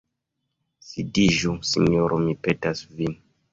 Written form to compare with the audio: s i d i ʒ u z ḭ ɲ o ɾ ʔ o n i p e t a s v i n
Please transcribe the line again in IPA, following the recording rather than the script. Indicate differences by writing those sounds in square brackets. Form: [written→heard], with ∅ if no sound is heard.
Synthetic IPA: s i d i ʒ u [z→s] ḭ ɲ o ɾ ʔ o [n→m] i p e t a s v i n